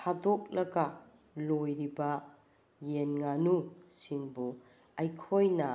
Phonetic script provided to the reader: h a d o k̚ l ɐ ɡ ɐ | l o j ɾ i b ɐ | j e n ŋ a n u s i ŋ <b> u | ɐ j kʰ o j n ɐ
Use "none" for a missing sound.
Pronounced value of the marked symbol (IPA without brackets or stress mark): b